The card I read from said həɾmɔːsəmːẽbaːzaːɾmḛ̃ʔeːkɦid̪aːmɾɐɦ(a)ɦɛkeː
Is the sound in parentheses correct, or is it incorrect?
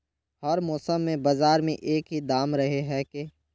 incorrect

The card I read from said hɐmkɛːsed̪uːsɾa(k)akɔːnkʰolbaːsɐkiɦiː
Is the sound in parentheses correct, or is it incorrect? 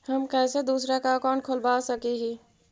correct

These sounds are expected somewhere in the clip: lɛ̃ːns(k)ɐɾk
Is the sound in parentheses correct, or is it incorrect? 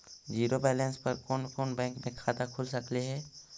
incorrect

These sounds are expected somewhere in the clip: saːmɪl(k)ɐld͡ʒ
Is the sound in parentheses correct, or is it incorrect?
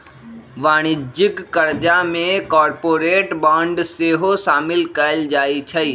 correct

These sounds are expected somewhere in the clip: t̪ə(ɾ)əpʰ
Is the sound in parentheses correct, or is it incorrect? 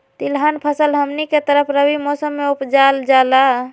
correct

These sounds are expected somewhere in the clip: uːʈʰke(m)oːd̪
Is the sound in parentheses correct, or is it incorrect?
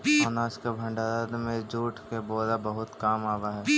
incorrect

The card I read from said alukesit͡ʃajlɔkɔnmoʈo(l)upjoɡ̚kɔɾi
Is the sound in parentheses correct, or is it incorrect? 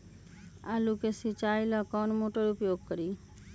incorrect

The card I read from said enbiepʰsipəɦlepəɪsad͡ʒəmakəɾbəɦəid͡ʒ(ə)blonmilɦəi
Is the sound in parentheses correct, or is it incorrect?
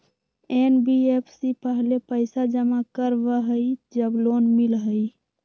correct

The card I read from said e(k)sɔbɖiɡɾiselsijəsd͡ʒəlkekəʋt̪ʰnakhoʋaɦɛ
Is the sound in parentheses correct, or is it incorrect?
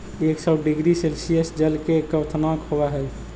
correct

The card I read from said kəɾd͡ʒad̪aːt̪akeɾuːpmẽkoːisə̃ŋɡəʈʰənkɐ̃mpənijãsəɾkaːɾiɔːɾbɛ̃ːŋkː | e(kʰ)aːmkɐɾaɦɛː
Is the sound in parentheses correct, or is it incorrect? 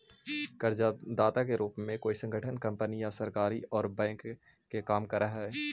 incorrect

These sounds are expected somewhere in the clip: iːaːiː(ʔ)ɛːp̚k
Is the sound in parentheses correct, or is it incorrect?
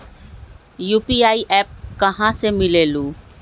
correct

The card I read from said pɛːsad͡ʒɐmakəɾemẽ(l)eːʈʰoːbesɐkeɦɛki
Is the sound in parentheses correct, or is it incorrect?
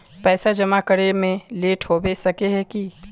correct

